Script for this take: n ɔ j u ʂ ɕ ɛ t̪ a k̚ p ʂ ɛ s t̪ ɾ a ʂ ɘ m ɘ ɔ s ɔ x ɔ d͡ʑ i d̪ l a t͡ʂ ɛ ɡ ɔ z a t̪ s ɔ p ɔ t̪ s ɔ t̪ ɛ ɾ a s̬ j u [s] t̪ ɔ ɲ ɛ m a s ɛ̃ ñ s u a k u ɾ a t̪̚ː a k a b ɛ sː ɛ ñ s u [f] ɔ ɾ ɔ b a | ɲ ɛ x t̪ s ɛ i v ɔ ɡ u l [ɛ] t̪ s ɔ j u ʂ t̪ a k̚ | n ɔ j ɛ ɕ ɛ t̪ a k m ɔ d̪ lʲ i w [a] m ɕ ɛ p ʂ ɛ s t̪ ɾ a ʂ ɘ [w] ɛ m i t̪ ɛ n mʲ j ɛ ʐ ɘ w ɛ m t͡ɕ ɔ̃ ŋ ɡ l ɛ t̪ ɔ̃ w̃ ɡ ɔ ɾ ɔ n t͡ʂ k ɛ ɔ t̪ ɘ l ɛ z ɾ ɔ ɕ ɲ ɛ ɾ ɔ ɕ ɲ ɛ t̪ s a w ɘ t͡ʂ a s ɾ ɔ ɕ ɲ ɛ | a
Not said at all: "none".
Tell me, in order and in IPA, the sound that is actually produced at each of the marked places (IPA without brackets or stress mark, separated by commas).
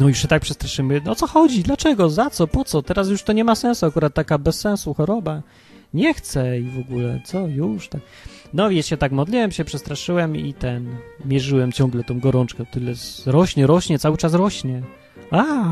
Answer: ʂ, x, ɛ, ɛ, w